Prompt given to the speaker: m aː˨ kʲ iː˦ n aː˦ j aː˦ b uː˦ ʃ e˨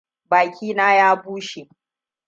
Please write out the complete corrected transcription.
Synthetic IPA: b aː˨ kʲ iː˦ n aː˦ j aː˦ b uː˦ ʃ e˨